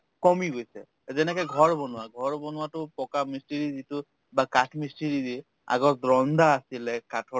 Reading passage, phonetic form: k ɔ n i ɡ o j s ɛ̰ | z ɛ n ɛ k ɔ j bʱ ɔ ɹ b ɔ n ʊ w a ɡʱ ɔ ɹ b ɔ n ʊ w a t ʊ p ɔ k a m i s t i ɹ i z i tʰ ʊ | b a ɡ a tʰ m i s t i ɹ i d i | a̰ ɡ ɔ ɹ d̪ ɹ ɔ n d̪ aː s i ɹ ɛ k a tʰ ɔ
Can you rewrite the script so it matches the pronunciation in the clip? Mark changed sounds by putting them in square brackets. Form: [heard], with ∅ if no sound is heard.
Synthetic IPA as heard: k ɔ [m] i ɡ o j s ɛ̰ | z ɛ n ɛ k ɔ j [ɡʱ] ɔ ɹ b ɔ n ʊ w a ɡʱ ɔ ɹ b ɔ n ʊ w a t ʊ p ɔ k a m i s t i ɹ i z i [t] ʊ | b a [k] a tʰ m i s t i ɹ i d i | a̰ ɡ ɔ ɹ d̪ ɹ ɔ n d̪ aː s i [l] ɛ k a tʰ ɔ